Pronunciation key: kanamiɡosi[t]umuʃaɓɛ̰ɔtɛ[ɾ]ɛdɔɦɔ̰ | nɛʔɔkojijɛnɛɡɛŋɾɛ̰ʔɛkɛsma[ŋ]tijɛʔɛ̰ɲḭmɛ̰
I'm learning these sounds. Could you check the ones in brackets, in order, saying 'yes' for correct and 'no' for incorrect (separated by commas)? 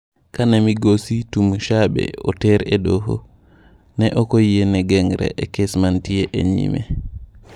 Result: yes, yes, no